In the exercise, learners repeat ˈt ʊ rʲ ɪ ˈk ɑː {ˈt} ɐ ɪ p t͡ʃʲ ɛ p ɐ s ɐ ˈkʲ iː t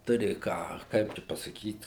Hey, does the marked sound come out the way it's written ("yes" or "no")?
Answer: no